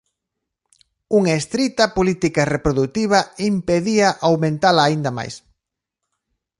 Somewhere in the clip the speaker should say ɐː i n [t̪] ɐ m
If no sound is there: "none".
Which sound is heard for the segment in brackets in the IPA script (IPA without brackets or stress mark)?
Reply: d̪